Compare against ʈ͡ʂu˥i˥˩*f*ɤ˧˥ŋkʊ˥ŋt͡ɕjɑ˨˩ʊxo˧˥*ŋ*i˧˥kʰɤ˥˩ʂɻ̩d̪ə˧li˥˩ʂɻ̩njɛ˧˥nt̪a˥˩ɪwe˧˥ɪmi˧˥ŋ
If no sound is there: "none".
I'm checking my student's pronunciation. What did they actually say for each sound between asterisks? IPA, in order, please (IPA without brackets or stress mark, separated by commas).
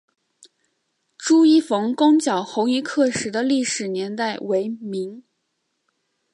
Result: f, ŋ